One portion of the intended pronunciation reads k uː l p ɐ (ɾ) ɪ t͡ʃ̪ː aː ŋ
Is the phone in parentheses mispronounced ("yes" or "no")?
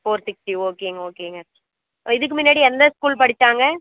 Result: yes